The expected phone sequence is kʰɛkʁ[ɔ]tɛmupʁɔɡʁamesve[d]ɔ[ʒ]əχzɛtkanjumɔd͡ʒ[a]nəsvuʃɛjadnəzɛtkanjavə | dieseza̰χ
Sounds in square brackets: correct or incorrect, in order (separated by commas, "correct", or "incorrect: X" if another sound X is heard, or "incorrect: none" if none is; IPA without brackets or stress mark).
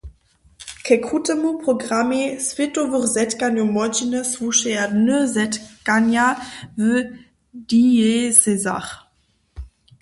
incorrect: u, incorrect: t, incorrect: v, incorrect: i